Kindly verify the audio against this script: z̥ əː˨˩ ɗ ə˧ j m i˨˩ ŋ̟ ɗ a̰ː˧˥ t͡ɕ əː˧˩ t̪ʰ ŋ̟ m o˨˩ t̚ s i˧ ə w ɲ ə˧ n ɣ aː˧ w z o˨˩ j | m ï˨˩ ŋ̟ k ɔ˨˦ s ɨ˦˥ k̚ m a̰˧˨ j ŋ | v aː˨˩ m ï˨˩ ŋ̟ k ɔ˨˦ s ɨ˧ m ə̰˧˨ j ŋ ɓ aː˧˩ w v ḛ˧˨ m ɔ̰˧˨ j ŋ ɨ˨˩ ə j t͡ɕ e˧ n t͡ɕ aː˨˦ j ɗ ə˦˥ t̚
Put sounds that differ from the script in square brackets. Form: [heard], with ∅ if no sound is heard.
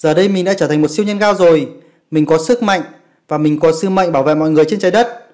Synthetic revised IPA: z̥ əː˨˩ ɗ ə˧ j m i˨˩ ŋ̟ ɗ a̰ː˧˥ t͡ɕ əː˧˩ t̪ʰ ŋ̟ m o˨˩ t̚ s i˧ ə w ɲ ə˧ n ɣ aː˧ w z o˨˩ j | m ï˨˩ ŋ̟ k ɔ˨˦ s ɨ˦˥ k̚ m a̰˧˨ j ŋ | v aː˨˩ m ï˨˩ ŋ̟ k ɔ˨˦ s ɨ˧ m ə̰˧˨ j ŋ ɓ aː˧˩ w v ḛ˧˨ m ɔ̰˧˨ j ŋ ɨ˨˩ ə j t͡ɕ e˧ n t͡ɕ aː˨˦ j ɗ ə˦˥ t̚